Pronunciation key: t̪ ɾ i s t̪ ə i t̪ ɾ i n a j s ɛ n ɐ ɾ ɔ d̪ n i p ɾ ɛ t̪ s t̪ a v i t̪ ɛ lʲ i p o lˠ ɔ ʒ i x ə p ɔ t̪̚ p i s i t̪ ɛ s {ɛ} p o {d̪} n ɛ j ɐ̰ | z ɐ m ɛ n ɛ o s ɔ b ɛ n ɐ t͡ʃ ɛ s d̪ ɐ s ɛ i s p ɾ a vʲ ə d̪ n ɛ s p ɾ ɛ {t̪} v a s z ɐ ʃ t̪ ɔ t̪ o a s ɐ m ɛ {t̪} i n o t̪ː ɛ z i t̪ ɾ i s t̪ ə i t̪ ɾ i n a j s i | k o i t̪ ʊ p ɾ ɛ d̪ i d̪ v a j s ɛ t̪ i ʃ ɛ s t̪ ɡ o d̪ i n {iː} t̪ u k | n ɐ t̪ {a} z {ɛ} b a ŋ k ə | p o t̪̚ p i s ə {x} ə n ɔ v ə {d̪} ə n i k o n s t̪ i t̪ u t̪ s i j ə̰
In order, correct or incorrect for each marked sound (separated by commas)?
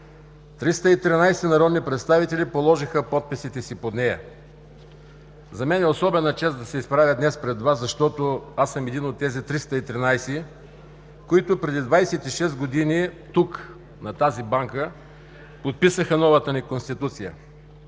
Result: incorrect, correct, incorrect, incorrect, incorrect, correct, incorrect, correct, incorrect